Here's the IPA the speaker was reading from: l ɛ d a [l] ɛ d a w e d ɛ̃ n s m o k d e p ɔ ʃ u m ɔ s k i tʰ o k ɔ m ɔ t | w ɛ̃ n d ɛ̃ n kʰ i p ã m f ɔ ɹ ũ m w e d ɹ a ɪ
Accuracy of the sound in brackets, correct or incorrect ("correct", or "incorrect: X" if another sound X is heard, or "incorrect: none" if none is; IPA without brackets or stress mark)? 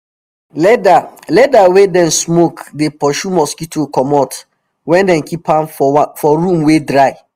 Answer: correct